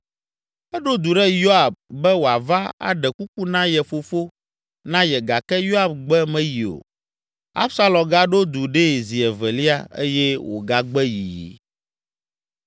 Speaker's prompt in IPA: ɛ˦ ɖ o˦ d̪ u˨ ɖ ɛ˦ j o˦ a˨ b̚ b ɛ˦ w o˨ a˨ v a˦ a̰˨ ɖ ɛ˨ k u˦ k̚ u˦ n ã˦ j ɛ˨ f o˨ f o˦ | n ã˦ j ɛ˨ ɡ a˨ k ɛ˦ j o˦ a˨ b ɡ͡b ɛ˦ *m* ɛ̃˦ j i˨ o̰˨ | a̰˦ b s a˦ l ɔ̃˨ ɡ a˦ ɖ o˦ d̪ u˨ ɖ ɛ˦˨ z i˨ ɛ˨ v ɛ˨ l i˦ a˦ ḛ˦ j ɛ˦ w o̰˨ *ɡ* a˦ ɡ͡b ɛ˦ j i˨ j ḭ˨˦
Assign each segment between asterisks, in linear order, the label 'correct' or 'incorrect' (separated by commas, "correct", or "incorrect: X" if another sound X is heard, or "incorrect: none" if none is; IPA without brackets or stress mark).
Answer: correct, correct